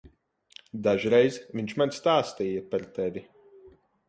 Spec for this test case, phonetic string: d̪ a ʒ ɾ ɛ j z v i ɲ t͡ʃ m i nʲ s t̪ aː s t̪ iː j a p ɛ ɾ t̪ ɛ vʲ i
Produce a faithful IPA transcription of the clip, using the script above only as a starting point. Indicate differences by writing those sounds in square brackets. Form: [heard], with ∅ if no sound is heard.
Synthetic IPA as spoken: d̪ a ʒ ɾ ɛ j z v i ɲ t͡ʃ m [a] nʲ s t̪ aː s t̪ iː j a p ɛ ɾ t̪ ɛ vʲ i